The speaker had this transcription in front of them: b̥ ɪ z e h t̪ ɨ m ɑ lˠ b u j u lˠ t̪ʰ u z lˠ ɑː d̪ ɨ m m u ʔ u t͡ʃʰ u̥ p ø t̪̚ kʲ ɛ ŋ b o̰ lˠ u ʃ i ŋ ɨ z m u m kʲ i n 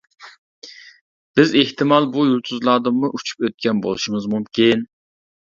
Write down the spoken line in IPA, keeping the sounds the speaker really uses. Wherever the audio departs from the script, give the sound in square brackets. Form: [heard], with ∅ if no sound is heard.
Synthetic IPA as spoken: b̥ ɪ z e h t̪ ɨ m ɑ lˠ b u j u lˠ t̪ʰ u z lˠ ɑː d̪ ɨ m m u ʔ u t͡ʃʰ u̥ p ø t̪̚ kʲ ɛ [n] b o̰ lˠ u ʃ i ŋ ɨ z m u m kʲ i n